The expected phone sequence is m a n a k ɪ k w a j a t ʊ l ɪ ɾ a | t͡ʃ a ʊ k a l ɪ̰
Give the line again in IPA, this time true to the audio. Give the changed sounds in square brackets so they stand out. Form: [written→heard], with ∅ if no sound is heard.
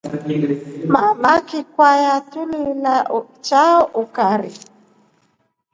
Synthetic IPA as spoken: m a [n→m] a k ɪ k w a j a t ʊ l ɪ [ɾ→l] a | t͡ʃ a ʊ k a [l→ɾ] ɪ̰